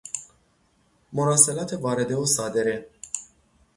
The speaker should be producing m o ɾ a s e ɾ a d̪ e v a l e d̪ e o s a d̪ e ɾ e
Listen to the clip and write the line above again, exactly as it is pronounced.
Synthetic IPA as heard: m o ɾ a s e l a t̪ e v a ɾ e d̪ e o s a d̪ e ɾ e